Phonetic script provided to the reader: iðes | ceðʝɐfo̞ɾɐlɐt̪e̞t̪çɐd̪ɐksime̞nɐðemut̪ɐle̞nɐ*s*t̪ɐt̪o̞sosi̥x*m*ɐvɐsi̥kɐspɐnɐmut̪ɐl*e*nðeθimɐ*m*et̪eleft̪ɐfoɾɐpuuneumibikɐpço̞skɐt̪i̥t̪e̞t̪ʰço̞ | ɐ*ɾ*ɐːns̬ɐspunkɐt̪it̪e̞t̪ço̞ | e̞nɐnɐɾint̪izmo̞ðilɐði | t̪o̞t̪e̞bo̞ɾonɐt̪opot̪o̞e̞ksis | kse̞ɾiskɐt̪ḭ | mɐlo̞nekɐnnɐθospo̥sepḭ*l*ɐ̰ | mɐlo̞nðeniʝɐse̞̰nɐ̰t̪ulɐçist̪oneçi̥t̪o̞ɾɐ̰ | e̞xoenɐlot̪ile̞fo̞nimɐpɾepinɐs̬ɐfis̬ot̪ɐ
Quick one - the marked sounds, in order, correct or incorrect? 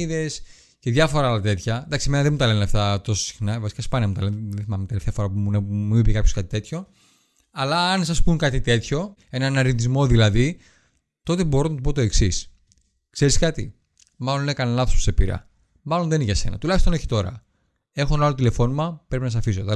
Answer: incorrect: f, incorrect: n, correct, correct, incorrect: l, incorrect: ɾ

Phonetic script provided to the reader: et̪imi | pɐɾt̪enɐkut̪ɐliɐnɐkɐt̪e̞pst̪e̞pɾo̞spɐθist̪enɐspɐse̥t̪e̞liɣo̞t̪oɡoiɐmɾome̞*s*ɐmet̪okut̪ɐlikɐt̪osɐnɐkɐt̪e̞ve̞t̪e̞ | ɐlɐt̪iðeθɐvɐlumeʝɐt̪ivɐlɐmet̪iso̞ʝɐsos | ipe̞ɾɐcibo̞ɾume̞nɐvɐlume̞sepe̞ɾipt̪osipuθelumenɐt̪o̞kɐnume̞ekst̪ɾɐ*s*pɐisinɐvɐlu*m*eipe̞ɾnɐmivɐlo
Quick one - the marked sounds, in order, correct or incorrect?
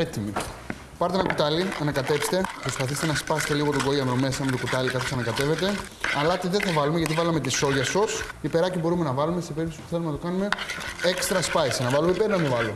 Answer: correct, correct, correct

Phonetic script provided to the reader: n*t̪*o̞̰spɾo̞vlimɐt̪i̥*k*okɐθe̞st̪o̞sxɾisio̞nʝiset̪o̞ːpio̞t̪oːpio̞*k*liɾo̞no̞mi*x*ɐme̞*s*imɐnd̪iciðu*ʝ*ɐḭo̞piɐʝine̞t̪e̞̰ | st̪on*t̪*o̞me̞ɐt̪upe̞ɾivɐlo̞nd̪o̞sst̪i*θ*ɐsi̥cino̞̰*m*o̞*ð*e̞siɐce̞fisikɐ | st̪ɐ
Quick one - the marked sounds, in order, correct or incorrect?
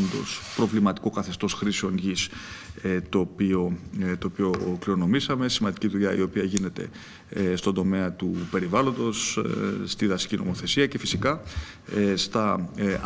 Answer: incorrect: d̪, correct, correct, incorrect: s, correct, incorrect: ʎ, incorrect: d̪, incorrect: ð, correct, incorrect: θ

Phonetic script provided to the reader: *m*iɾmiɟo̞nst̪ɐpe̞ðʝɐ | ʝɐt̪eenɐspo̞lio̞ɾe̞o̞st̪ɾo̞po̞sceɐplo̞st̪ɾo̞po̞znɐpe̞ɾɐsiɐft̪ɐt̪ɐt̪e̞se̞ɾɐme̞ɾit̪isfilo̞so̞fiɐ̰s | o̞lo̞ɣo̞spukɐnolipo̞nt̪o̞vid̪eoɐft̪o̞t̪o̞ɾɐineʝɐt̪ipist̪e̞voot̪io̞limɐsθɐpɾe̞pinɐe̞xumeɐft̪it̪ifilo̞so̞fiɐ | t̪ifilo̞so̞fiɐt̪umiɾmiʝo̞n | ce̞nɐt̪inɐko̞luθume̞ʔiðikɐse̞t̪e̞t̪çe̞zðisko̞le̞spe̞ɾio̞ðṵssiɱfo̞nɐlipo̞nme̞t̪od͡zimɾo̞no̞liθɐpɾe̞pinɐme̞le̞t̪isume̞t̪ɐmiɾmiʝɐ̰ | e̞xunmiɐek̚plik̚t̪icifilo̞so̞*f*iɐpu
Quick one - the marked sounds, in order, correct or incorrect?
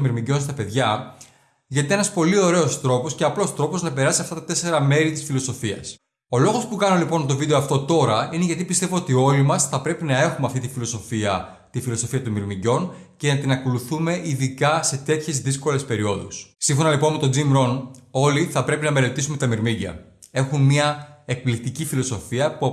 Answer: correct, correct

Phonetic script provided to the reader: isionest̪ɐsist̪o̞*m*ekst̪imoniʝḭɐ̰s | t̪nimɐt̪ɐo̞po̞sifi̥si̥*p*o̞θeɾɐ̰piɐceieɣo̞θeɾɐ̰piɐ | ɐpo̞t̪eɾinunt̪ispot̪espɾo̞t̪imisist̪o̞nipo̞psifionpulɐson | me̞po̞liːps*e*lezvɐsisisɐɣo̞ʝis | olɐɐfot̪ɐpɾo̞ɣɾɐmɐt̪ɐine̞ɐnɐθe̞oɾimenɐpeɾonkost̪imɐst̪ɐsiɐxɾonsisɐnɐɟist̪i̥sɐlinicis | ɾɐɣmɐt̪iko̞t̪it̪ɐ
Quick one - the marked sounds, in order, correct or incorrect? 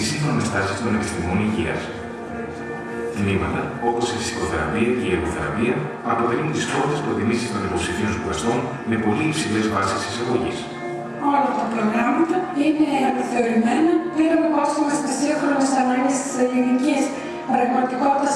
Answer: incorrect: n, incorrect: k, incorrect: i

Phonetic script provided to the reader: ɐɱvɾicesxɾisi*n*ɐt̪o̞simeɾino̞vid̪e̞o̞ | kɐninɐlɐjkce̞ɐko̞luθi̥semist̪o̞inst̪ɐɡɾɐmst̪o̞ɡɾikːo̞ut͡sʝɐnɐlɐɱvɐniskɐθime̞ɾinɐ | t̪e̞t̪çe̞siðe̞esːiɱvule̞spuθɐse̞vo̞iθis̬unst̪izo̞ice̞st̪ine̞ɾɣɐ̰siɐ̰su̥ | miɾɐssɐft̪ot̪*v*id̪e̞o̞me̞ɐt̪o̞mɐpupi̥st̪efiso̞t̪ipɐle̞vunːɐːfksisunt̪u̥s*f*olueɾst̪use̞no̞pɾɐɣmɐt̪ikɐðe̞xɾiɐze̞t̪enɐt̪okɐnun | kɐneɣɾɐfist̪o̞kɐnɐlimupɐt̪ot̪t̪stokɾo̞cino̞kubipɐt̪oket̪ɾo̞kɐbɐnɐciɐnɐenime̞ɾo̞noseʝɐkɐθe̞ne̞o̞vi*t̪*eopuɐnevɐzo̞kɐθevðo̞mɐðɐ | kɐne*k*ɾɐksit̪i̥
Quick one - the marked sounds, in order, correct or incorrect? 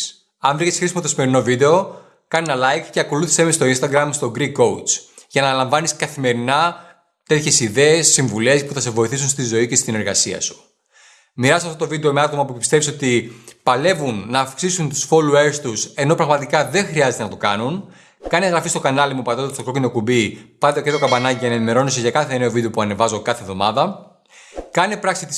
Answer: incorrect: m, correct, correct, incorrect: d̪, incorrect: p

